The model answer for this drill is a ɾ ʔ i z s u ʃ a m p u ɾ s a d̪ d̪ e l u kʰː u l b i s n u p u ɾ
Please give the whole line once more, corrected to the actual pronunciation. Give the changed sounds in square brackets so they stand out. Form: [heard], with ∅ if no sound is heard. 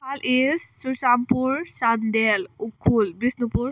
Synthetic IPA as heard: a [l] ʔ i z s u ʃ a m p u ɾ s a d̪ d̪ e l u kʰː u l b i s n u p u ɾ